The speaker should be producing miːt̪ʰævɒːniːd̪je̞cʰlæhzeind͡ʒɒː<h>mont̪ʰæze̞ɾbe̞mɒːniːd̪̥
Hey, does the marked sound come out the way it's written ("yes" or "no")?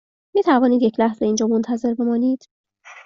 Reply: no